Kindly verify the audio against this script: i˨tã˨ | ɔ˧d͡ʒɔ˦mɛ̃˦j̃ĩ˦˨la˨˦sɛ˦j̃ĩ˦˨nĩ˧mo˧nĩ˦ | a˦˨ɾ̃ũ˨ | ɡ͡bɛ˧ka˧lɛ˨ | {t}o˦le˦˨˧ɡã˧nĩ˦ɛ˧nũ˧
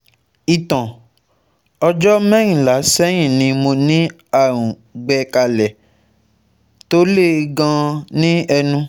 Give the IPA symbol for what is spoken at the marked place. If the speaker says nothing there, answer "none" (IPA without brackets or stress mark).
t